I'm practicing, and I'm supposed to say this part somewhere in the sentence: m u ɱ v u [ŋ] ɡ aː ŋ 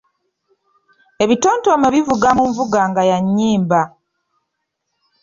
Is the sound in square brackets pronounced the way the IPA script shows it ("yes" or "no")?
no